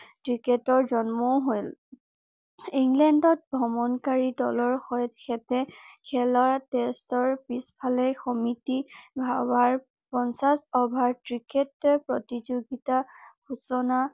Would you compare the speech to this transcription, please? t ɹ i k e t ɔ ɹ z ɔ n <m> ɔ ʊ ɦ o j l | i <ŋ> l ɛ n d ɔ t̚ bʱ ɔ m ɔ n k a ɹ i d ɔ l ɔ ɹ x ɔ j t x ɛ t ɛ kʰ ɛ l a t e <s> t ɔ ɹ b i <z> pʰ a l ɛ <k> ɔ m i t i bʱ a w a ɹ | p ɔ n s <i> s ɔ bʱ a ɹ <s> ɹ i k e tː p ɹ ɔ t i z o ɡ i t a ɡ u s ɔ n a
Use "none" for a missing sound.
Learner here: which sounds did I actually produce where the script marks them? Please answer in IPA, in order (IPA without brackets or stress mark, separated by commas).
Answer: m, ŋ, s, s, x, a, t